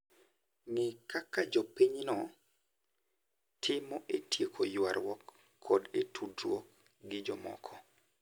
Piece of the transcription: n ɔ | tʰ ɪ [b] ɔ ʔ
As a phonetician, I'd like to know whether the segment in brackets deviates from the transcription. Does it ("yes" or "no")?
yes